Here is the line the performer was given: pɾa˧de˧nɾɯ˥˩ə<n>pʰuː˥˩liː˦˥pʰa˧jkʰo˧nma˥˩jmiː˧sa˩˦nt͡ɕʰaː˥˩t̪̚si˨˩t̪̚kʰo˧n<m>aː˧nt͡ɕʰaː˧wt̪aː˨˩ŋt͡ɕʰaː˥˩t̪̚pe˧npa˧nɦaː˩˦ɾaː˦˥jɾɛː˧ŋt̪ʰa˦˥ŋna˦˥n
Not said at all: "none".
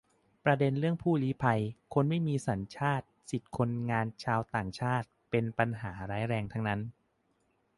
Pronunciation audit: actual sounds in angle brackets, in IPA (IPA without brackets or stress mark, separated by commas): ŋ, ŋ